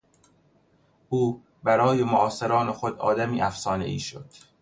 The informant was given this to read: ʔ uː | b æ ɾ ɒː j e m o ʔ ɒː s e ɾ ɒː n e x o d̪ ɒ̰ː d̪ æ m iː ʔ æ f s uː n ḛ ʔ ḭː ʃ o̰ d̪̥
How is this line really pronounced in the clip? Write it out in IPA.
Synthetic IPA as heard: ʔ uː | b æ ɾ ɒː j e m o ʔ ɒː s e ɾ ɒː n e x o d̪ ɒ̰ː d̪ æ m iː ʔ æ f s ɒː n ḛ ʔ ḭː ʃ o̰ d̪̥